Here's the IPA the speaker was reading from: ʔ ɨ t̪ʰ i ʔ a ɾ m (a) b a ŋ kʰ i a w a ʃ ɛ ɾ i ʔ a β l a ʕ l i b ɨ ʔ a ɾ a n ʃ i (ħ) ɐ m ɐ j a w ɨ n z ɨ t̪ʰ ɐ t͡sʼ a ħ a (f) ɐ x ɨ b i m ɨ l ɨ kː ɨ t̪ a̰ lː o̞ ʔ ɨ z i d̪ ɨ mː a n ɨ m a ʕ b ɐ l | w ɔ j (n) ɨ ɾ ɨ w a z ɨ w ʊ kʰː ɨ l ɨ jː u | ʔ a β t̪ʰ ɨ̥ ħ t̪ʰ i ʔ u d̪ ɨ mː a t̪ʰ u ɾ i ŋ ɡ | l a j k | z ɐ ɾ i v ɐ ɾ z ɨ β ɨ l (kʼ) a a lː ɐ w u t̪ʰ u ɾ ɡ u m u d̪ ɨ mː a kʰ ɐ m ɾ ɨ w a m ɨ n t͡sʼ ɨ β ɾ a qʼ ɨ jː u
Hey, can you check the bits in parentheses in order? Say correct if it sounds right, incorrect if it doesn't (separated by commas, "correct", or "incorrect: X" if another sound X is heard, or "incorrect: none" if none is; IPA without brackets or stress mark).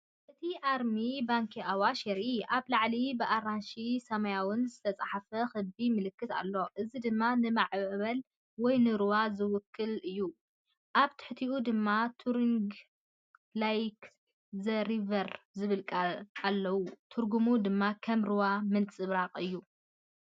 incorrect: i, incorrect: s, correct, correct, correct